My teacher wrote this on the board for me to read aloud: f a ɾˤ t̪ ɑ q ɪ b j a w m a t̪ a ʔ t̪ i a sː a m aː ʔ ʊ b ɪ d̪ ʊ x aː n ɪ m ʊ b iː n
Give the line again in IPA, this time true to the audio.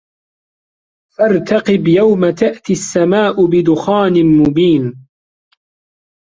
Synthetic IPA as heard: f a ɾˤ t̪ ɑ q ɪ b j a w m a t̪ a ʔ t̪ i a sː a m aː ʔ ʊ b ɪ d̪ ʊ x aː n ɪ m ʊ b iː n